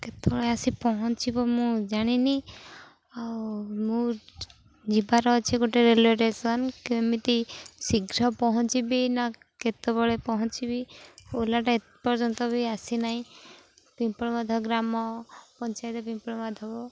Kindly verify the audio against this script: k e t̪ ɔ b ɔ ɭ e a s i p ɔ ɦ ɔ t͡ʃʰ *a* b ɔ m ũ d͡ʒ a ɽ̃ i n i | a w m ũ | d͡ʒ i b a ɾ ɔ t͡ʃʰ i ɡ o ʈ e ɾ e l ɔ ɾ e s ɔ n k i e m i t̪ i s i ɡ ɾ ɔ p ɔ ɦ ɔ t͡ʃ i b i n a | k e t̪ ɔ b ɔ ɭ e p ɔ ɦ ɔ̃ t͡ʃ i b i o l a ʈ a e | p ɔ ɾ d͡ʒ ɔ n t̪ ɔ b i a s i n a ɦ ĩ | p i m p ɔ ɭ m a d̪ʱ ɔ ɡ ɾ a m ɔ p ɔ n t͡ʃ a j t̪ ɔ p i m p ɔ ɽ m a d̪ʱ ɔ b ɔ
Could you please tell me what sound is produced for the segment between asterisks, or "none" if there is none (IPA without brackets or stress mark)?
i